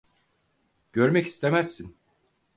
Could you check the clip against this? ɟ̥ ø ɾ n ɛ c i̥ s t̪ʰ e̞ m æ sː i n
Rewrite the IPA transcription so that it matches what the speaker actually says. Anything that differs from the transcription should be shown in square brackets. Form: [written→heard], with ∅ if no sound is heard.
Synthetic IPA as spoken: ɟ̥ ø ɾ [n→m] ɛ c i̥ s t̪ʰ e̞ m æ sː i n

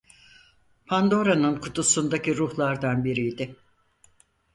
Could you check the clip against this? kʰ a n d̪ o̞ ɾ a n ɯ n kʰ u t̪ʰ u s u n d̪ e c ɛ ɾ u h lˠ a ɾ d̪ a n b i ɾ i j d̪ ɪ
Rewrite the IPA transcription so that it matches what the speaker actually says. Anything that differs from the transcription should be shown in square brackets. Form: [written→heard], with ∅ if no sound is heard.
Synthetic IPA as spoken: [kʰ→pʰ] a n d̪ o̞ ɾ a n ɯ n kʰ u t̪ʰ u s u n d̪ [e→a] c [ɛ→i] ɾ u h lˠ a ɾ d̪ a n b i ɾ i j d̪ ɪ

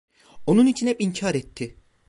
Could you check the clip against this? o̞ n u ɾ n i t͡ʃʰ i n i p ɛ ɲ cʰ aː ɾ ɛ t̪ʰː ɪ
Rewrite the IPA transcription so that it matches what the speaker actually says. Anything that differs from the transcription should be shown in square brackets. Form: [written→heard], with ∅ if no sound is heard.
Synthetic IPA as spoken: o̞ n u [ɾ→∅] n i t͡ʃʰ i n [i→ɛ] p [ɛ→i] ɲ cʰ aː ɾ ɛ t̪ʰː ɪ

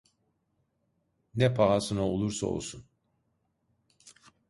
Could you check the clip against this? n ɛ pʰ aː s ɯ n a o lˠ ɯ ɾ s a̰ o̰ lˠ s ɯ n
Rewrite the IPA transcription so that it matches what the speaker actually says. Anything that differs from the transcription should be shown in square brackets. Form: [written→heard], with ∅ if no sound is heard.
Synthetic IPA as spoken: n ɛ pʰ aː s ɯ n a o lˠ [ɯ→u] ɾ s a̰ o̰ lˠ s [ɯ→u] n

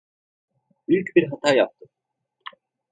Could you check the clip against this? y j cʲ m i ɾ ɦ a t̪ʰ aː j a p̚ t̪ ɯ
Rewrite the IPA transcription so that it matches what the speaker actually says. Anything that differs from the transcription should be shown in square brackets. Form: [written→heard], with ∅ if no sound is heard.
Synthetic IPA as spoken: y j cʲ [m→b] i ɾ ɦ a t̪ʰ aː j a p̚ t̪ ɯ

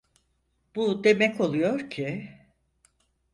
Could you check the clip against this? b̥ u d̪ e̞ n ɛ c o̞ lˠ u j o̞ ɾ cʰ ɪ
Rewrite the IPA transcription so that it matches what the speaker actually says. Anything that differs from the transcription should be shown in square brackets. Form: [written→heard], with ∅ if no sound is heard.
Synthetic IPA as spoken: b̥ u d̪ e̞ [n→m] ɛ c o̞ lˠ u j o̞ ɾ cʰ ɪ

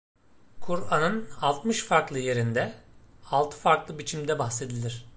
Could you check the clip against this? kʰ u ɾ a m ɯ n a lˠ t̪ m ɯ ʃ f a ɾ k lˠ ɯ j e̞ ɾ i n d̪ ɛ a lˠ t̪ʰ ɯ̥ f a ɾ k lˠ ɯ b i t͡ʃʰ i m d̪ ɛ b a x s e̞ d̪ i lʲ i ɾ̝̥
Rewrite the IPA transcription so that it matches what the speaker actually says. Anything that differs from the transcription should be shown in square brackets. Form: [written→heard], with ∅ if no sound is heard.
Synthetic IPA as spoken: kʰ u ɾ a [m→n] ɯ n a lˠ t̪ m ɯ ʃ f a ɾ k lˠ ɯ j e̞ ɾ i n d̪ ɛ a lˠ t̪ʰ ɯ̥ f a ɾ k lˠ ɯ b i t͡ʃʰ i m d̪ ɛ b a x s e̞ d̪ i lʲ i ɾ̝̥

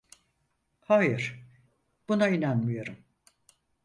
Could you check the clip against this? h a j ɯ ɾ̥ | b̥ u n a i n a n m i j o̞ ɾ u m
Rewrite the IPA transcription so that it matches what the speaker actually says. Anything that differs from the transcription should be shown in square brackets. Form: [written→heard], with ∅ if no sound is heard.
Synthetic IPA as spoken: h a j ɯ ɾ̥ | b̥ u n a i n a n m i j o̞ ɾ u m

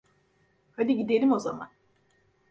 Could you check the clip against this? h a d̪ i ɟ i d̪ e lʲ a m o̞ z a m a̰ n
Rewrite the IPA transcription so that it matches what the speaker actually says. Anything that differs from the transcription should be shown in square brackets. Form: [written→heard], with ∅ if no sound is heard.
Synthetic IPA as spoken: h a d̪ i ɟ i d̪ e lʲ [a→i] m o̞ z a m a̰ n

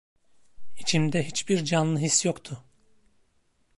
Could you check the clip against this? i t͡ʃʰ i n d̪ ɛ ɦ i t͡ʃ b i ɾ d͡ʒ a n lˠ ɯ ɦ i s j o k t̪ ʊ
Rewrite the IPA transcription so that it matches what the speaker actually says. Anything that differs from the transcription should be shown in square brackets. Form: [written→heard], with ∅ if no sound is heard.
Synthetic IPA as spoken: i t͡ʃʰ i [n→m] d̪ ɛ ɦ i t͡ʃ b i ɾ d͡ʒ a n lˠ ɯ ɦ i s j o k [t̪→t̪ʰ] ʊ

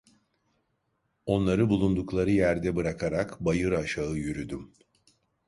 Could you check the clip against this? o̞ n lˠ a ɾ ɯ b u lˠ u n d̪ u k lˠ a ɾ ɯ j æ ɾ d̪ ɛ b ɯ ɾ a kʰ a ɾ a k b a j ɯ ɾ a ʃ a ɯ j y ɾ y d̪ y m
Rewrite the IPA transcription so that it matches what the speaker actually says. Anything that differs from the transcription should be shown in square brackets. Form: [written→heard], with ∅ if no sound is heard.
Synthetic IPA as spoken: o̞ n lˠ a ɾ ɯ b u lˠ u n d̪ u k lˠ a ɾ ɯ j æ ɾ d̪ ɛ b ɯ ɾ a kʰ a ɾ a k b a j ɯ ɾ a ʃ a ɯ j y ɾ y d̪ y m

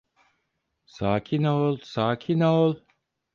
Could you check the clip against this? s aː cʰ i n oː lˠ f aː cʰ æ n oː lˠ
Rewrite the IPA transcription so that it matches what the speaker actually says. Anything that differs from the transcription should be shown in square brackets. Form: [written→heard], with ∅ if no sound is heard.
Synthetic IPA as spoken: s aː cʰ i n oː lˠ [f→s] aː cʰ [æ→i] n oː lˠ

